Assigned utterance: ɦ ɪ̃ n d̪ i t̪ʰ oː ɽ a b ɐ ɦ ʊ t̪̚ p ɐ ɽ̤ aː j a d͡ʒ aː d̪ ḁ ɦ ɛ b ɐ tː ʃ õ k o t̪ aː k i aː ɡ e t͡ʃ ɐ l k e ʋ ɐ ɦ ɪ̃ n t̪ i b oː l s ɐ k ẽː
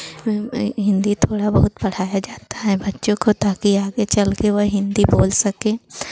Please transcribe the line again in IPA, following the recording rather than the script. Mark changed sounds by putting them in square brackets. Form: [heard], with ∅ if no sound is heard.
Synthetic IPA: ɦ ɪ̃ n d̪ i t̪ʰ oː ɽ a b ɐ ɦ ʊ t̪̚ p ɐ ɽ̤ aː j a d͡ʒ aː [t̪] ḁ ɦ ɛ b ɐ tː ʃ õ k o t̪ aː k i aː ɡ e t͡ʃ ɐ l k e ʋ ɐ ɦ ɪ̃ n [d̪] i b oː l s ɐ k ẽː